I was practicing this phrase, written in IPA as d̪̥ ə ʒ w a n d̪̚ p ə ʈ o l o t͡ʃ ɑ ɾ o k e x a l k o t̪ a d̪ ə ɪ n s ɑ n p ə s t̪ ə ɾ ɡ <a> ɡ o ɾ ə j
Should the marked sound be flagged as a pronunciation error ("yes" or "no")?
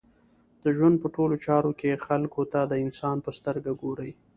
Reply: no